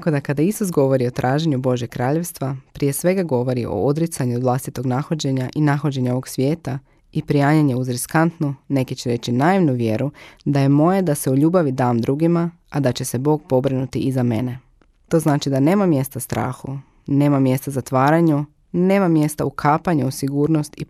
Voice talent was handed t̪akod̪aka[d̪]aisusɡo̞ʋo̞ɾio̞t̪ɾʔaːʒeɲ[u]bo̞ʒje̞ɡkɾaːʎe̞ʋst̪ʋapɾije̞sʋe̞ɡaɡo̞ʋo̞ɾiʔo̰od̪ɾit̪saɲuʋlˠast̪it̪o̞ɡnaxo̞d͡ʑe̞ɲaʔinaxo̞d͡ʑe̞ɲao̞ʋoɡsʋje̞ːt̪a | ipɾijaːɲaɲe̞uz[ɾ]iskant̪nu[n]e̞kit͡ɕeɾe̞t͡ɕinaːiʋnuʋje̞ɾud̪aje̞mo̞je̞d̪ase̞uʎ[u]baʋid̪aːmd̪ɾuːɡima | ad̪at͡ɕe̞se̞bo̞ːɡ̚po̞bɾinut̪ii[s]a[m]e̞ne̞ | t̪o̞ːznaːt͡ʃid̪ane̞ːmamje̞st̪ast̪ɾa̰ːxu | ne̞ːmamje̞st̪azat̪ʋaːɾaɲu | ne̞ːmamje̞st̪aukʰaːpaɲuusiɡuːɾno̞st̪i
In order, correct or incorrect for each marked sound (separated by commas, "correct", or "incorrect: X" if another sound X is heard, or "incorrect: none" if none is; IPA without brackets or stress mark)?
correct, correct, correct, correct, incorrect: uː, incorrect: z, correct